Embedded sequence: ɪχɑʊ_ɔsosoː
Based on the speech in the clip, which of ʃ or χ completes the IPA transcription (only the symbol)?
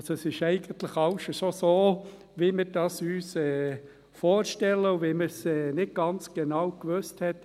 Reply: ʃ